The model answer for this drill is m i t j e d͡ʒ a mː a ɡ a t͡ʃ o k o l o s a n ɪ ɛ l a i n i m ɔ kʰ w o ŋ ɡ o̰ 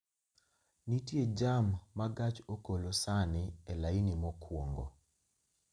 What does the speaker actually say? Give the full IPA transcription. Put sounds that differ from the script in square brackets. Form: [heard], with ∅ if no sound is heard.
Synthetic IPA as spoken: [n] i t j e d͡ʒ a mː a ɡ a t͡ʃ o k o l o s a n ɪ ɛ l a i n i m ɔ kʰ w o ŋ ɡ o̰